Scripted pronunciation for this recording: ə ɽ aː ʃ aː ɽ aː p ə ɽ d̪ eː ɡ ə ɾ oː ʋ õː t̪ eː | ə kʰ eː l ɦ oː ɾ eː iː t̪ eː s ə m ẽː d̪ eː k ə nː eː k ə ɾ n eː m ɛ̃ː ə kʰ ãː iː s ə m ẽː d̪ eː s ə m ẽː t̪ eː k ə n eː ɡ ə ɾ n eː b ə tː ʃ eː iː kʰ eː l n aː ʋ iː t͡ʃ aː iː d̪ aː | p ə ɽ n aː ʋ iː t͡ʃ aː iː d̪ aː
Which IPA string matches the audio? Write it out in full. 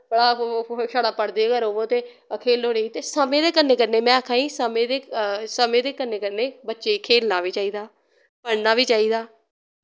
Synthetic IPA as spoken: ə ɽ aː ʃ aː ɽ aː p ə ɽ d̪ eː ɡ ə ɾ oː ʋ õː t̪ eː | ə kʰ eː l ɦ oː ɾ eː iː t̪ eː s ə m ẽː d̪ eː k ə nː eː k ə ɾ n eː m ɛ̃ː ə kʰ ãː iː s ə m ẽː d̪ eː s ə m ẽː d̪ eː k ə n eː k ə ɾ n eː b ə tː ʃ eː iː kʰ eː l n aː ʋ iː t͡ʃ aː iː d̪ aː | p ə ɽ n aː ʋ iː t͡ʃ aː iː d̪ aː